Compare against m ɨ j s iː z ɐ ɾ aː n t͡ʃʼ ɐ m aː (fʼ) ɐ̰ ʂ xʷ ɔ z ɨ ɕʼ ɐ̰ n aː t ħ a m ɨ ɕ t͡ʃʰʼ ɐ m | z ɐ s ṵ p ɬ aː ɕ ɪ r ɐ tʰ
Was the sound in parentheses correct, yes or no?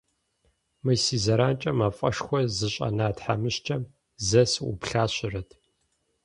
yes